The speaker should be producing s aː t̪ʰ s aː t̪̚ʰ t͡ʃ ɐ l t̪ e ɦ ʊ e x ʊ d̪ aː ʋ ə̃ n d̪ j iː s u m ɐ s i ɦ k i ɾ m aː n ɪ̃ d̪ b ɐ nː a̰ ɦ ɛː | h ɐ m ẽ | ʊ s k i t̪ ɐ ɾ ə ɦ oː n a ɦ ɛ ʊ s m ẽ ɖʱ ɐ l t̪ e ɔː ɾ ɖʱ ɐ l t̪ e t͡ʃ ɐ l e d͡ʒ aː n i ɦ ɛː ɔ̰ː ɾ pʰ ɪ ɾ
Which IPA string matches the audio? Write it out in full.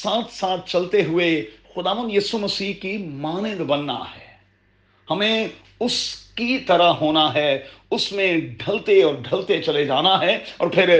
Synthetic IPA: s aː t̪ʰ s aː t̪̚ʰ t͡ʃ ɐ l t̪ e ɦ ʊ e x ʊ d̪ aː ʋ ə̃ n d̪ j iː s u m ɐ s iː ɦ k i m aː n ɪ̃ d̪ b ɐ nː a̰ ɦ ɛː | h ɐ m ẽ | ʊ s k i t̪ ɐ ɾ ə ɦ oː n a ɦ ɛ ʊ s m ẽ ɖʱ ɐ l t̪ e ɔː ɾ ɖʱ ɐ l t̪ e t͡ʃ ɐ l e d͡ʒ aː n a ɦ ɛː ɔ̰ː ɾ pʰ ɪ ɾ